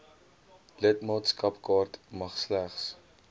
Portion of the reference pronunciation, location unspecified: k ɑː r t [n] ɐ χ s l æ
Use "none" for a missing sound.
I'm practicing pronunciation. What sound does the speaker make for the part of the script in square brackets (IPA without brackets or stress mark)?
m